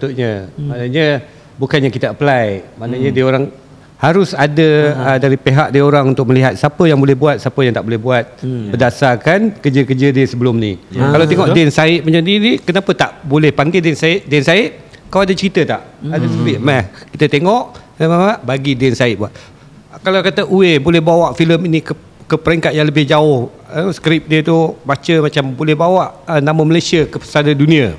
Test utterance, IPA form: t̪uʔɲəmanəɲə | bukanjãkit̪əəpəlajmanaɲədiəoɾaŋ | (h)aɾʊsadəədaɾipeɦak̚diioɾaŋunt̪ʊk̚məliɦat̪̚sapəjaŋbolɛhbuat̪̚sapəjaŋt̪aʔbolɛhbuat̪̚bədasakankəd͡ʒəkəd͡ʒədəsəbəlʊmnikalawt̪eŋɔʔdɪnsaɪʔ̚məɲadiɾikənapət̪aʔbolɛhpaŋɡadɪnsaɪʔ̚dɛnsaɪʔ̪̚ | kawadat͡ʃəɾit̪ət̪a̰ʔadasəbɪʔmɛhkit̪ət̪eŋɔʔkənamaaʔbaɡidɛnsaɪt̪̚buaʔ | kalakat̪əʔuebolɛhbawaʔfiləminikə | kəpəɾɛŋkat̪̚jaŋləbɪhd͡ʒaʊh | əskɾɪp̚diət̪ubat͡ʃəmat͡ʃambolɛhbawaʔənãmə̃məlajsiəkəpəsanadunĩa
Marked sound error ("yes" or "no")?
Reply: no